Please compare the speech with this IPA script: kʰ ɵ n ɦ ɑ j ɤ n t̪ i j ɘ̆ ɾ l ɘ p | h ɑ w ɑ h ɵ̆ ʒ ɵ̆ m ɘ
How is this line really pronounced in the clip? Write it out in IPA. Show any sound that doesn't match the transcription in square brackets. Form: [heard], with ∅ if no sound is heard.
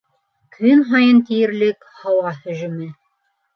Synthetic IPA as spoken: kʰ ɵ n ɦ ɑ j ɤ n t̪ i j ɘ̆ ɾ l ɘ [k] | h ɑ w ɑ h ɵ̆ ʒ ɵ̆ m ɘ